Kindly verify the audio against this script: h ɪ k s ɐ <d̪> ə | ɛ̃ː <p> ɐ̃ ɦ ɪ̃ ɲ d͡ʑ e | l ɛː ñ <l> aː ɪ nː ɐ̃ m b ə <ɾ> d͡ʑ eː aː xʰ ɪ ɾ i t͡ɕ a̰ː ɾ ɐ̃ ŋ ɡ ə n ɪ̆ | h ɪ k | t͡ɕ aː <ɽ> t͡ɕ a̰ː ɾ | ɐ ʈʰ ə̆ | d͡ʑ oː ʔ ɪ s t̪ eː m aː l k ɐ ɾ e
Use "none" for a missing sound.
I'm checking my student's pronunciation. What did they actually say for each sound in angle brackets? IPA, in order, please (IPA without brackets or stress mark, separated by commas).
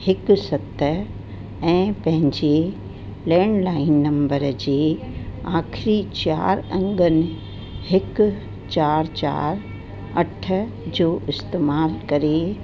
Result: t̪, p, l, ɾ, ɾ